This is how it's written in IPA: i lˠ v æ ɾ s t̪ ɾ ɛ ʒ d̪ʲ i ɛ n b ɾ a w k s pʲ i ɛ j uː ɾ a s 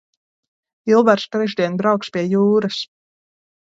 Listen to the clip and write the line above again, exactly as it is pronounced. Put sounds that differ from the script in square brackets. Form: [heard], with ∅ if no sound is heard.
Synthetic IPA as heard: i lˠ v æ ɾ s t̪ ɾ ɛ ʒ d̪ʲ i ɛ n b ɾ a w k s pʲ i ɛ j uː ɾ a s